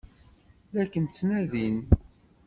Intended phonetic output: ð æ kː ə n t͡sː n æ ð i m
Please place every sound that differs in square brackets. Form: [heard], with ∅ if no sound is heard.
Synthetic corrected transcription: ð æ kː ə n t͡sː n æ ð i [n]